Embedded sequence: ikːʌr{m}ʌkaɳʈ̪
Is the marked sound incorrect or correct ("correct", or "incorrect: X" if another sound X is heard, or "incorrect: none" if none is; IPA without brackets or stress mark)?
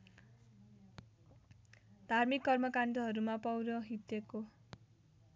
correct